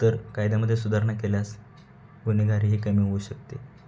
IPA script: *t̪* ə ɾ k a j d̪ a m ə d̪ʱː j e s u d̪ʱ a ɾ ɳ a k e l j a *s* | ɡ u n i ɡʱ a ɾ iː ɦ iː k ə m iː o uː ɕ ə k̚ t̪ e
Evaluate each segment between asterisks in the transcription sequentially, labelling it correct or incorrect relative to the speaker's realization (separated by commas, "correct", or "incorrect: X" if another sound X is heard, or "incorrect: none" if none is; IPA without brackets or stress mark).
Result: correct, correct